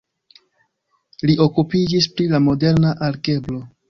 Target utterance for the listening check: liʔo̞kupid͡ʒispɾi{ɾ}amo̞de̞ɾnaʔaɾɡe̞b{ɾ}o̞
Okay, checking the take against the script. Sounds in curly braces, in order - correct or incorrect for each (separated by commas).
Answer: incorrect, incorrect